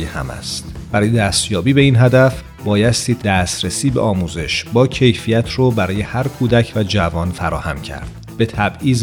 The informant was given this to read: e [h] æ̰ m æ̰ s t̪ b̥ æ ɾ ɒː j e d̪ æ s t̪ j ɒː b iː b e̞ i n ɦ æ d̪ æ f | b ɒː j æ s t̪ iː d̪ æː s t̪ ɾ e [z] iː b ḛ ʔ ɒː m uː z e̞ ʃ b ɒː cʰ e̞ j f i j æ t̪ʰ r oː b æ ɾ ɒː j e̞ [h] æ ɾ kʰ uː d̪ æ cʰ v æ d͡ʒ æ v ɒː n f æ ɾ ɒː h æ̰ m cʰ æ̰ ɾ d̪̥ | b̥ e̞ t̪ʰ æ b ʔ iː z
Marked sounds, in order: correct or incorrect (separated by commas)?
correct, incorrect, correct